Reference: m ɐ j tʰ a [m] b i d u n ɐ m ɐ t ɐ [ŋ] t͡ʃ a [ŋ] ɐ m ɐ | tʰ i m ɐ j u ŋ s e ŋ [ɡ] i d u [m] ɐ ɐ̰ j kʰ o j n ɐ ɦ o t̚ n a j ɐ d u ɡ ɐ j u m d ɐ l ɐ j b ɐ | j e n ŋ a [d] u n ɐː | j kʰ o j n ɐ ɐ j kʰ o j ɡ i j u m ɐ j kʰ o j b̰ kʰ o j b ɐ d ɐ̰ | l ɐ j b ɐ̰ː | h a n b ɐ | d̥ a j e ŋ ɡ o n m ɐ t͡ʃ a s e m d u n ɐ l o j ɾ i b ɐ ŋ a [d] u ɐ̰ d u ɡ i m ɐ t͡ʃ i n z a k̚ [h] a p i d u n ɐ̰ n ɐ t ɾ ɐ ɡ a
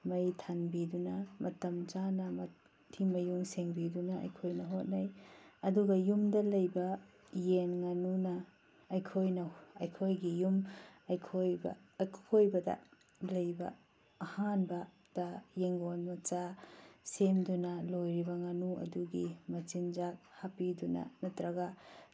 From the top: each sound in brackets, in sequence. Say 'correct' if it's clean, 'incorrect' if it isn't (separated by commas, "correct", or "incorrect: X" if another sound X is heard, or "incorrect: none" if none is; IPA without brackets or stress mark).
incorrect: n, incorrect: m, incorrect: n, incorrect: b, incorrect: n, incorrect: n, incorrect: n, correct